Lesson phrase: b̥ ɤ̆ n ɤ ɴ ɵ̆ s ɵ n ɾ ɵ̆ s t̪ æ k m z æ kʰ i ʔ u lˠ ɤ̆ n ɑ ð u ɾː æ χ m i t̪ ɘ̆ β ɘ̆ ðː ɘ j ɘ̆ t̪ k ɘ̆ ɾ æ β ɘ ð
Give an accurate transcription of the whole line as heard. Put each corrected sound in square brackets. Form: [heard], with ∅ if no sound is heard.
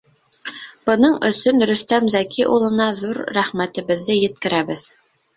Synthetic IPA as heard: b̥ ɤ̆ n ɤ ɴ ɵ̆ s ɵ n ɾ ɵ̆ s t̪ æ [∅] m z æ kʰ i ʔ u lˠ ɤ̆ n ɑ ð u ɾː æ χ m [æ] t̪ ɘ̆ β ɘ̆ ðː ɘ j ɘ̆ t̪ k ɘ̆ ɾ æ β ɘ ð

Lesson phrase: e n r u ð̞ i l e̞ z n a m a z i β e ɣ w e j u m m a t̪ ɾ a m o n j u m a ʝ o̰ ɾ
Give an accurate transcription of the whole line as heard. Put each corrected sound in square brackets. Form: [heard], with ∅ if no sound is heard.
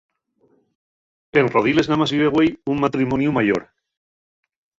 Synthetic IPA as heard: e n r [o] ð̞ i l e̞ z n a m a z i β e ɣ w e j u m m a t̪ ɾ [i] m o n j u m a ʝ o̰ ɾ

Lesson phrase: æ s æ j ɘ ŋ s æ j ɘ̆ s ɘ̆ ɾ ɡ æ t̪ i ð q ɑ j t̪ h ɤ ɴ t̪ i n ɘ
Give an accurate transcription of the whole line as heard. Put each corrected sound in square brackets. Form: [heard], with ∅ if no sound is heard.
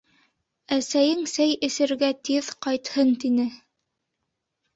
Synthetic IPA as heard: æ s æ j ɘ ŋ s æ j ɘ̆ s ɘ̆ ɾ ɡ æ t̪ i ð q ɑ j t̪ h ɤ [n] t̪ i n ɘ

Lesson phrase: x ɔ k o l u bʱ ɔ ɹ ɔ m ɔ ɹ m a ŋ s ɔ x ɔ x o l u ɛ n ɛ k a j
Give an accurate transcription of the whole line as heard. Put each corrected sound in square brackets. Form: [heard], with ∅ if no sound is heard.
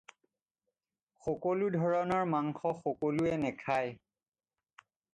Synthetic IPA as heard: x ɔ k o l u [dʱ] ɔ ɹ ɔ [n] ɔ ɹ m a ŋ [x] ɔ x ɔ [k] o l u ɛ n ɛ [kʰ] a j

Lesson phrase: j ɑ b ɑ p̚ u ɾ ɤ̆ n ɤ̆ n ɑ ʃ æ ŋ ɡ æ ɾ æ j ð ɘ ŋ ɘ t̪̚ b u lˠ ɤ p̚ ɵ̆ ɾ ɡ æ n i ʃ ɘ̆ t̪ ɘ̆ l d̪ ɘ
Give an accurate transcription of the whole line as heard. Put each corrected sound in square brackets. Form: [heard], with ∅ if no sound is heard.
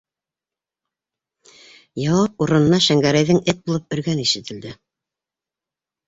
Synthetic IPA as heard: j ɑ [w] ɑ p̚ u ɾ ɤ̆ n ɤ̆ n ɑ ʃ æ ŋ ɡ æ ɾ æ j ð ɘ ŋ ɘ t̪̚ b u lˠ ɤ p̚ ɵ̆ ɾ ɡ æ n i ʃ ɘ̆ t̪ ɘ̆ l d̪ ɘ

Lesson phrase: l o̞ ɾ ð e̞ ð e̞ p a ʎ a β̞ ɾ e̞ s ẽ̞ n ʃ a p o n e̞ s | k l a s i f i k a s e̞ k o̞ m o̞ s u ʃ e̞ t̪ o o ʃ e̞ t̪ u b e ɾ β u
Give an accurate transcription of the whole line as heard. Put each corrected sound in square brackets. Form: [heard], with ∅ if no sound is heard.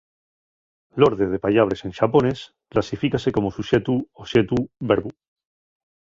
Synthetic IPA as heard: l o̞ ɾ ð e̞ ð e̞ p a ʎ a β̞ ɾ e̞ s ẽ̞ n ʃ a p o n e̞ s | k l a s i f i k a s e̞ k o̞ m o̞ s u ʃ e̞ t̪ [u] o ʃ e̞ t̪ u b e ɾ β u

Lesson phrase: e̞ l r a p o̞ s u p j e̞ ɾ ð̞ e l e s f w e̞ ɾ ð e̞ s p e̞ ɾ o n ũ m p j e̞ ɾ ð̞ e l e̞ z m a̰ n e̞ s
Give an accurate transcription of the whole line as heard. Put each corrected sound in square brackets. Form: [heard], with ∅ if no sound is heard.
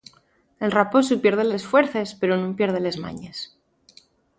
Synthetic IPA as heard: e̞ l r a p o̞ s u p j e̞ ɾ ð̞ e l e s f w e̞ ɾ [θ] e̞ s p e̞ ɾ o n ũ m p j e̞ ɾ ð̞ e l e̞ z m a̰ [ɲ] e̞ s

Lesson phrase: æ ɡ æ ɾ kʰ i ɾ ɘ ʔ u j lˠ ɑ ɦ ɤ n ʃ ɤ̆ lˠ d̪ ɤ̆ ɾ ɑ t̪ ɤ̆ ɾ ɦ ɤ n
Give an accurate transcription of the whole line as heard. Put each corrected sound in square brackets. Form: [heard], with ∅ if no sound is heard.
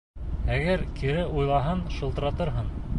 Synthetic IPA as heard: æ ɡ æ ɾ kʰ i ɾ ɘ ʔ u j lˠ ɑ ɦ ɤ n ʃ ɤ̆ lˠ [t̪] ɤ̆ ɾ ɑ t̪ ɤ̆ ɾ ɦ ɤ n

